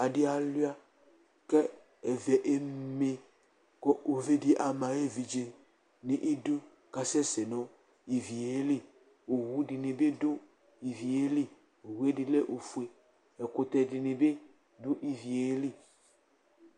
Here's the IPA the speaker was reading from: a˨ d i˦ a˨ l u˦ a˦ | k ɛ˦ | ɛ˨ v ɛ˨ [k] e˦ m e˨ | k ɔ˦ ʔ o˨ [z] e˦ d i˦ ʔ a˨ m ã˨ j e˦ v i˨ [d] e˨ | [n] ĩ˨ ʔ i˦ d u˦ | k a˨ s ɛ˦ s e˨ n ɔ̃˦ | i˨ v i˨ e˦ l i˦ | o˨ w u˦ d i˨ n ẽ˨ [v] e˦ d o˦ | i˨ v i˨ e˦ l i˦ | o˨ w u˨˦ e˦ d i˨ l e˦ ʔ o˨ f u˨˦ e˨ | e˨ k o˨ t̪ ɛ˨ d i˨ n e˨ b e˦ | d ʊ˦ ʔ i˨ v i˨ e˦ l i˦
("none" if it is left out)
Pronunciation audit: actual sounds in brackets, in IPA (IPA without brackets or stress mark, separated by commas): ʔ, v, d͡ʒ, n, b